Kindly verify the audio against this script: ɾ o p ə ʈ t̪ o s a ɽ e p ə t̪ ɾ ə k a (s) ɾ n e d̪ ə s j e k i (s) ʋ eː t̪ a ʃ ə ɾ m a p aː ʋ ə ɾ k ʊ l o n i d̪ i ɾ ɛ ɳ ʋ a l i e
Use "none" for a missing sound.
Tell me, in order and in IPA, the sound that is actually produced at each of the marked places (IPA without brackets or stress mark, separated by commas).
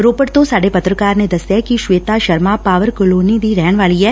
none, ʃ